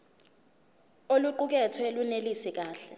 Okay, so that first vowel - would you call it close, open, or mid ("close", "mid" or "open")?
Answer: mid